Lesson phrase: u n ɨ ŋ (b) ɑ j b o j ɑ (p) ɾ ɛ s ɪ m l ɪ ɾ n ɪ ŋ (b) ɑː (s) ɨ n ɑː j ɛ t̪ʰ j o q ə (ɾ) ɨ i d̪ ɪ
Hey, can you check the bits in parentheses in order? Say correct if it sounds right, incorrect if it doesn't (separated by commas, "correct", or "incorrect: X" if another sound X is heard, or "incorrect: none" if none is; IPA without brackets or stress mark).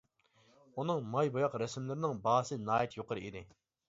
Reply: incorrect: m, incorrect: q, correct, correct, correct